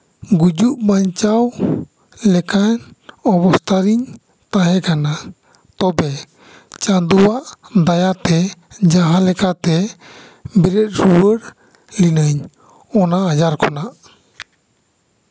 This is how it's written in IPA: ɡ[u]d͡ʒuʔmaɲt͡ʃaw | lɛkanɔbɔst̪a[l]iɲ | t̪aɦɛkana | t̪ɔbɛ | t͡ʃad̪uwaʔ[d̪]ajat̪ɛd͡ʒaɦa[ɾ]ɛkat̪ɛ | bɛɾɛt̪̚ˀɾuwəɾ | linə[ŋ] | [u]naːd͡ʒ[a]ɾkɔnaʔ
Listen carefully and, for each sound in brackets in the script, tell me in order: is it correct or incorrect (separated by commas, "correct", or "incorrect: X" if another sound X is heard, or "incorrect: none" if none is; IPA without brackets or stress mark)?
correct, incorrect: ɾ, correct, incorrect: l, incorrect: ɲ, incorrect: ɔ, correct